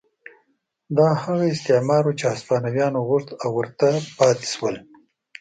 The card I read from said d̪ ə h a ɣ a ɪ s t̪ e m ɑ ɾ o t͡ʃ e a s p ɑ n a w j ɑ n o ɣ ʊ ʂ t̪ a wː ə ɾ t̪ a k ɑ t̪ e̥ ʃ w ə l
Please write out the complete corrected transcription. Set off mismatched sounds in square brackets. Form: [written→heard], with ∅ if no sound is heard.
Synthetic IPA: d̪ [ə→ɑ] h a ɣ a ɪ s t̪ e m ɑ ɾ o t͡ʃ e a s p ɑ n a w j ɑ n o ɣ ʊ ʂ t̪ a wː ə ɾ t̪ a [k→p] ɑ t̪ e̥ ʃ w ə l